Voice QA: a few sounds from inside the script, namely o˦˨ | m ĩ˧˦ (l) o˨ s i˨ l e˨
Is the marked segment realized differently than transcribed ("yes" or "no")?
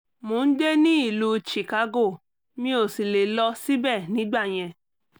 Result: yes